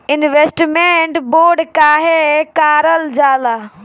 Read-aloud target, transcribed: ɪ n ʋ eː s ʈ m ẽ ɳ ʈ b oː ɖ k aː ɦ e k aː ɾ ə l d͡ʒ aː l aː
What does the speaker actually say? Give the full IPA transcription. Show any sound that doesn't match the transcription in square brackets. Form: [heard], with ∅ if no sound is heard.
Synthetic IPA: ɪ n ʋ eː s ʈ m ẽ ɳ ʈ b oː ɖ k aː ɦ e k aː ɾ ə l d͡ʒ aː l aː